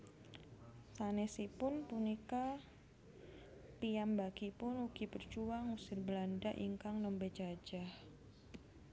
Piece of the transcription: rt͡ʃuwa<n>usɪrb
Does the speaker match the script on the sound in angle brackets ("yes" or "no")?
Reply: no